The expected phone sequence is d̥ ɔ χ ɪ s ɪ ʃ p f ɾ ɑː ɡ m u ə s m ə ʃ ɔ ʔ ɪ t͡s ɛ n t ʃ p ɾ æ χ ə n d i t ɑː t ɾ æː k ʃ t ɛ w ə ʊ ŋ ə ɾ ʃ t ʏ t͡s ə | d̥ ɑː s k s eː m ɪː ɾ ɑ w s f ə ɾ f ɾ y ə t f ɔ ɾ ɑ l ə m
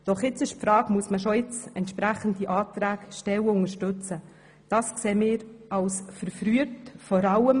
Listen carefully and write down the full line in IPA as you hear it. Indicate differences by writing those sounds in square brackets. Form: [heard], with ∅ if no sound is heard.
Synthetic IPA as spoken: d̥ ɔ χ ɪ [t͡s] ɪ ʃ p f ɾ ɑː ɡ m u ə s m ə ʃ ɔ [∅] ɪ t͡s ɛ n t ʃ p ɾ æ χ ə n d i [ʔ] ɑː t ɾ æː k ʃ t ɛ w ə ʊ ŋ ə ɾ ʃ t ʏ t͡s ə | d̥ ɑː s k s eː m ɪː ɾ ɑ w s f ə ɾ f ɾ y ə t f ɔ ɾ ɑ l ə m